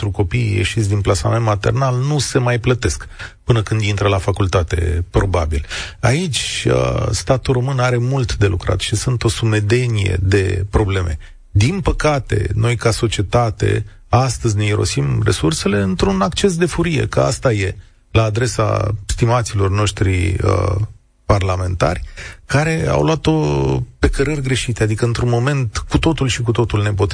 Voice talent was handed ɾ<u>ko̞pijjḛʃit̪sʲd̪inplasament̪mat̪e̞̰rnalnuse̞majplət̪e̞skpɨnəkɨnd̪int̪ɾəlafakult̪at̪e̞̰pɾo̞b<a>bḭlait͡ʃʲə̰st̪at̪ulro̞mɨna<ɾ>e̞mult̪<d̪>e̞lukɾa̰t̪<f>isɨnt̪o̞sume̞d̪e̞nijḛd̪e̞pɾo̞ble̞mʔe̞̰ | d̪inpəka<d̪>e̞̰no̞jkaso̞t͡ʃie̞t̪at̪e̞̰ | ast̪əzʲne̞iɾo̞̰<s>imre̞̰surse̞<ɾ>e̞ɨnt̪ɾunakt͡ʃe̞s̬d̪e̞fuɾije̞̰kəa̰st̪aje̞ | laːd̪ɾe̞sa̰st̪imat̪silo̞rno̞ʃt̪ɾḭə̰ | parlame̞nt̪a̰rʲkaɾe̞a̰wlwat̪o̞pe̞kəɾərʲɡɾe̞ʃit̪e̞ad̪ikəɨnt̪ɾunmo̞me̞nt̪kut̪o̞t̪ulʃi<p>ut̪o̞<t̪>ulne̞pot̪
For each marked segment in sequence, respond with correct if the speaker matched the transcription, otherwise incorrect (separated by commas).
correct, correct, correct, correct, incorrect, incorrect, correct, incorrect, incorrect, correct